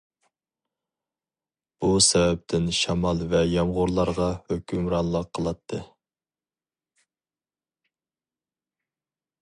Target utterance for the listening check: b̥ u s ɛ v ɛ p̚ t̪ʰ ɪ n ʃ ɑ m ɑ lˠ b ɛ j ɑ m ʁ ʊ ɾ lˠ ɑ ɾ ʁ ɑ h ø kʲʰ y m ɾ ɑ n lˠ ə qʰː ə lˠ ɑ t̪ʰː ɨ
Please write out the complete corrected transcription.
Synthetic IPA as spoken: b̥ u s ɛ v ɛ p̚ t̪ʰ ɪ n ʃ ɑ m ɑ lˠ v ɛ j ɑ m ʁ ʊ ɾ lˠ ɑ ɾ ʁ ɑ h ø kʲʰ y m ɾ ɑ n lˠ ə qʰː ə lˠ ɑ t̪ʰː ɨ

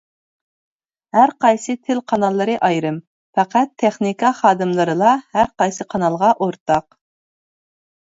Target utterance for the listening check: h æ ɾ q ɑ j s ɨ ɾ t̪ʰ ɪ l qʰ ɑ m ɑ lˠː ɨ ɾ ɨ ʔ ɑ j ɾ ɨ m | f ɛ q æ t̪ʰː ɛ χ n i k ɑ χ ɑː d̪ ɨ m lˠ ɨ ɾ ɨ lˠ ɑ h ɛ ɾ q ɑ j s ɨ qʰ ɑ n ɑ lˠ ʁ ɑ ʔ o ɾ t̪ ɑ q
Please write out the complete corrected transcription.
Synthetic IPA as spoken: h æ ɾ q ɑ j s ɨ t̪ʰ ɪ l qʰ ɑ n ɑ lˠː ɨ ɾ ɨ ʔ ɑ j ɾ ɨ m | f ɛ q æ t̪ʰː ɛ χ n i k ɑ χ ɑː d̪ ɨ m lˠ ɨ ɾ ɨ lˠ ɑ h æ ɾ q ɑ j s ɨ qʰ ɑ n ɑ lˠ ʁ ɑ ʔ o ɾ t̪ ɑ q

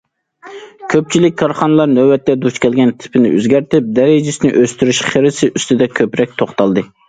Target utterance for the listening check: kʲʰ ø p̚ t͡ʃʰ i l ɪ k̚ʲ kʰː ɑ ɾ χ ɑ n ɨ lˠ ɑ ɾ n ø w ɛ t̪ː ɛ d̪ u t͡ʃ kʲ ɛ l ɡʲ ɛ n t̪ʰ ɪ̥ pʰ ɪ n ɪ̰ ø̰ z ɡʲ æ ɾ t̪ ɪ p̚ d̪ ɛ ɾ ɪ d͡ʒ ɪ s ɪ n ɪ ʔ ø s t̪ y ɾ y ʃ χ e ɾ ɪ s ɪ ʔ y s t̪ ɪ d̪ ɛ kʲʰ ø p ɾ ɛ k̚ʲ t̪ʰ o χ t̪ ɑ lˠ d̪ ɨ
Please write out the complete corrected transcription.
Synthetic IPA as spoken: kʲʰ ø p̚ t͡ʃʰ i l ɪ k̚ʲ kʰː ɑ ɾ χ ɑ n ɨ lˠ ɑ ɾ n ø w ɛ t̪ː ɛ d̪ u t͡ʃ kʲ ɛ l ɡʲ ɛ n t̪ʰ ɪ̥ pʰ ɪ n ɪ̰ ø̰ z ɡʲ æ ɾ t̪ ɪ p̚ d̪ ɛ ɾ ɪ d͡ʒ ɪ s ɪ n ɪ ʔ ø s t̪ y ɾ y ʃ χ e ɾ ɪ s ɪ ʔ y s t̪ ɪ d̪ ɛ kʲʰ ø p ɾ ɛ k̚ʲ t̪ʰ o χ t̪ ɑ lˠ d̪ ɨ

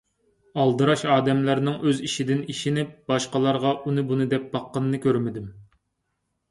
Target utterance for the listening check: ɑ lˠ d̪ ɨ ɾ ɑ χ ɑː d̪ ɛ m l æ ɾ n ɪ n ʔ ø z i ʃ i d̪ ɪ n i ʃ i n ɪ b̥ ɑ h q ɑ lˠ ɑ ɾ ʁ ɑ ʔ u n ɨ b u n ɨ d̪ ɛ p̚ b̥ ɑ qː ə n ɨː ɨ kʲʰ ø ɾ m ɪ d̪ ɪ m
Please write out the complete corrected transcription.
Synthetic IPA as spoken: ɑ lˠ d̪ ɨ ɾ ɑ ʃ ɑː d̪ ɛ m l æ ɾ n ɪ ŋ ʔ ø z i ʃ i d̪ ɪ n i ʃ i n ɪ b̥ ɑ ʃ q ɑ lˠ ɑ ɾ ʁ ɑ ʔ u n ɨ b u n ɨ d̪ ɛ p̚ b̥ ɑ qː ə n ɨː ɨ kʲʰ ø ɾ m ɪ d̪ ɪ m

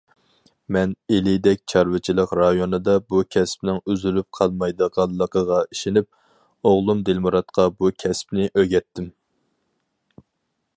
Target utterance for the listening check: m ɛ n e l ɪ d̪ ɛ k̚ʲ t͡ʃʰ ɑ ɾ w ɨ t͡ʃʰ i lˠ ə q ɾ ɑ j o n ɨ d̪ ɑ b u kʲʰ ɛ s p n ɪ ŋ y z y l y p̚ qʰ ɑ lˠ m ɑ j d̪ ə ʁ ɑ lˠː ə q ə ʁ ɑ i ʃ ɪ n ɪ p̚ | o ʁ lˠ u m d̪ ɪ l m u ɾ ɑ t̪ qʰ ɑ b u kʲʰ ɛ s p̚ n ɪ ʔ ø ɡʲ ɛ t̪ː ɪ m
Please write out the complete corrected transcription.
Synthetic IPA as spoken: m ɛ n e l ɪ d̪ ɛ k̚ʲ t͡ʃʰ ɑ ɾ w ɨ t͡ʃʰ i lˠ ə q ɾ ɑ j o n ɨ d̪ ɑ b u kʲʰ ɛ s p n ɪ ŋ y z y l y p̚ qʰ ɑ lˠ m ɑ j d̪ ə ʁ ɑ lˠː ə q ə ʁ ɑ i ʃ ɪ n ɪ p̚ | o ʁ lˠ u m d̪ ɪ l m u ɾ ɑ t̪ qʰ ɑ b u kʲʰ ɛ s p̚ n ɪ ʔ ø ɡʲ ɛ t̪ː ɪ m

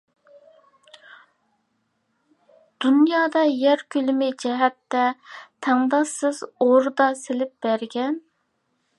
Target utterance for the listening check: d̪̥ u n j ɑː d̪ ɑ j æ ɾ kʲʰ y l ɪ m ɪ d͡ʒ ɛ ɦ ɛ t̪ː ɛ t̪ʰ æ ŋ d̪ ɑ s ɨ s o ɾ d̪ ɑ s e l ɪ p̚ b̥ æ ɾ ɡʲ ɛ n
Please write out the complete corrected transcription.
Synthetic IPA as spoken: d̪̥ u n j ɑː d̪ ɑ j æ ɾ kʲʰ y l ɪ m ɪ d͡ʒ ɛ ɦ ɛ t̪ː ɛ t̪ʰ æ ŋ d̪ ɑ s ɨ z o ɾ d̪ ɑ s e l ɪ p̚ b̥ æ ɾ ɡʲ ɛ n

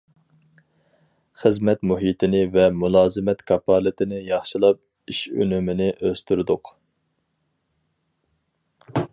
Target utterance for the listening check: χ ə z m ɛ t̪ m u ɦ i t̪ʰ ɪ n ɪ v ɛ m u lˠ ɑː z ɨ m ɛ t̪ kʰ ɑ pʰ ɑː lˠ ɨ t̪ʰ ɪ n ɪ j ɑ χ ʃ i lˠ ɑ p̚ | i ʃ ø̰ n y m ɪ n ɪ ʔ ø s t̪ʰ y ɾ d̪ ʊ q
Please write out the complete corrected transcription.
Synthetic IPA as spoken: χ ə z m ɛ t̪ m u ɦ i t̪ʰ ɪ n ɪ v ɛ m u lˠ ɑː z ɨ m ɛ t̪ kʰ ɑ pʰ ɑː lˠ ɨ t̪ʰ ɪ n ɪ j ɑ χ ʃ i lˠ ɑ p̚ | i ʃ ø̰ n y m ɪ n ɪ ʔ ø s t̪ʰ y ɾ d̪ ʊ q

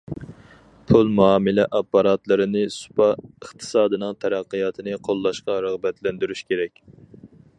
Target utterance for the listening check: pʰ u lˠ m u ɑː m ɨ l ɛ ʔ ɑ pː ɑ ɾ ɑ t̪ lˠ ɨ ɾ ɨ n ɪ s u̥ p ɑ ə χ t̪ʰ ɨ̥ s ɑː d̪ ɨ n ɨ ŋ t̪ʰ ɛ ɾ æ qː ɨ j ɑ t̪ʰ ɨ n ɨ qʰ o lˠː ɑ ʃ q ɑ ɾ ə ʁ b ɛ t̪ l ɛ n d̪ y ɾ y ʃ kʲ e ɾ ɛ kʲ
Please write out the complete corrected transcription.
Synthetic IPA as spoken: pʰ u lˠ m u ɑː m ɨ l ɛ ʔ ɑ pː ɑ ɾ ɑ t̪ lˠ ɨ ɾ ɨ n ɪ s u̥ p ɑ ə χ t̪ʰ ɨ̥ s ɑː d̪ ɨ n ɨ ŋ t̪ʰ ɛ ɾ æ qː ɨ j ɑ t̪ʰ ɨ n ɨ qʰ o lˠː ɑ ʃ q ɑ ɾ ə ʁ b ɛ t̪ l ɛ n d̪ y ɾ y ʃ kʲ e ɾ ɛ kʲ

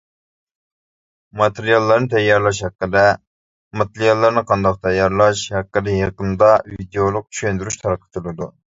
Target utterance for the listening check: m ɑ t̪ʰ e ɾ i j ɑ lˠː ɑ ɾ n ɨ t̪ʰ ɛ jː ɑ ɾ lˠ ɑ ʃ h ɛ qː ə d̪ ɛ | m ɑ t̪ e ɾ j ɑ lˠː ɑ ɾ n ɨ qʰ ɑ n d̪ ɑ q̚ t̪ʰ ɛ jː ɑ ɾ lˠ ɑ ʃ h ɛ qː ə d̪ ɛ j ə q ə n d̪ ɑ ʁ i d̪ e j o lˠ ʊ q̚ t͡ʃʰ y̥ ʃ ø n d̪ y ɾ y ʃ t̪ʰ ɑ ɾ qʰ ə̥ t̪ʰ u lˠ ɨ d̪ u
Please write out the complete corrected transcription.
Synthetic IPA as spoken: m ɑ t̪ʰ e ɾ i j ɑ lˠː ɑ ɾ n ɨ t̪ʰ ɛ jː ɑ ɾ lˠ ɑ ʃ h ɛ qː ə d̪ ɛ | m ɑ t̪ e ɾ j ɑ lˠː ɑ ɾ n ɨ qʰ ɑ n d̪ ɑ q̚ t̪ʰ ɛ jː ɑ ɾ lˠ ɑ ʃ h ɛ qː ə d̪ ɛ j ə q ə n d̪ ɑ v i d̪ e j o lˠ ʊ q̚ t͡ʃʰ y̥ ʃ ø n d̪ y ɾ y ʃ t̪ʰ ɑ ɾ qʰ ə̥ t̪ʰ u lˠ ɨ d̪ u

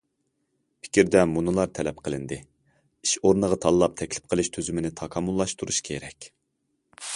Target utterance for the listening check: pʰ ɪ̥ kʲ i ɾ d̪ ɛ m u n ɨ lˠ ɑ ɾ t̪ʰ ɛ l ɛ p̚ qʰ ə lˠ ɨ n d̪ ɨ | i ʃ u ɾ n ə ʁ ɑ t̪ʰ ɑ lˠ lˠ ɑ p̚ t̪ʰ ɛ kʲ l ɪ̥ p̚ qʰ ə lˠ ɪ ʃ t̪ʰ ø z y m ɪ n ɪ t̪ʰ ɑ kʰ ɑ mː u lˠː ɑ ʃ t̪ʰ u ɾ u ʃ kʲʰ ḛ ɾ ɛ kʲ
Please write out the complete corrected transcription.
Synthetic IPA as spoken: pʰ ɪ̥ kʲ i ɾ d̪ ɛ m u n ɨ lˠ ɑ ɾ t̪ʰ ɛ l ɛ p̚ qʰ ə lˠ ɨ n d̪ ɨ | i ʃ o ɾ n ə ʁ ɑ t̪ʰ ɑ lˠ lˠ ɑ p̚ t̪ʰ ɛ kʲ l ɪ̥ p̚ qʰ ə lˠ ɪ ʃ t̪ʰ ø z y m ɪ n ɪ t̪ʰ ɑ kʰ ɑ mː u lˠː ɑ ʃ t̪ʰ u ɾ u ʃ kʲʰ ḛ ɾ ɛ kʲ

